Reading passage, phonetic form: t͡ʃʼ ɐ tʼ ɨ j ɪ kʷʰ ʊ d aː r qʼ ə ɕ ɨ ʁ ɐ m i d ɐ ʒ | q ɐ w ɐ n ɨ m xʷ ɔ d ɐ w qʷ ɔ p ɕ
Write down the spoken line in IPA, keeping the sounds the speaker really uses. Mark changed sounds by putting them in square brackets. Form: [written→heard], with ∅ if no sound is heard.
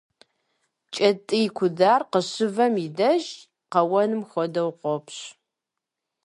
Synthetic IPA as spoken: t͡ʃʼ ɐ tʼ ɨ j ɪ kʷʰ ʊ d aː r [qʼ→q] ə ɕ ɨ [ʁ→v] ɐ m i d ɐ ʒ | q ɐ w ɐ n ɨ m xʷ ɔ d ɐ w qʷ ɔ p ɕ